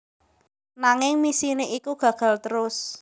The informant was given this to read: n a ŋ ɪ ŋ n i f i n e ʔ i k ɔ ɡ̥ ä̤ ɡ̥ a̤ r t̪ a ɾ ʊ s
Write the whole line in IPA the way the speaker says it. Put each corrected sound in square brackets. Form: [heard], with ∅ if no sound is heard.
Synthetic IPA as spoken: n a ŋ ɪ ŋ [m] i [s] i n e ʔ i k [u] ɡ̥ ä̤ ɡ̥ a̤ [l] t̪ [ə] ɾ ʊ s